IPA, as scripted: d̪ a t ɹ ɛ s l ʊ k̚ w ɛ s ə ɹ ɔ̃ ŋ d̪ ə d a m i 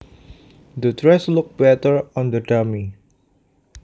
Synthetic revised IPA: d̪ ə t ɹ ɛ s l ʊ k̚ b ɛ t ə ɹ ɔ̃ n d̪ ə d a m i